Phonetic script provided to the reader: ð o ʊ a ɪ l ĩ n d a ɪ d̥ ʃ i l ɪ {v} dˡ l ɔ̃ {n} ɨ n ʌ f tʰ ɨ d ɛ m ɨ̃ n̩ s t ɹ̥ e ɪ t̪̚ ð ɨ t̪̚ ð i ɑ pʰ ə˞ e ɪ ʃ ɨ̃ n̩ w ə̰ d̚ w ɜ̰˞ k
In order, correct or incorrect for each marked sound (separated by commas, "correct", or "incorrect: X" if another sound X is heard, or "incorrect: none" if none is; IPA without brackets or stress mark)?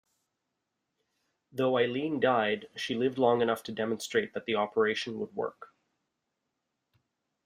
correct, incorrect: ŋ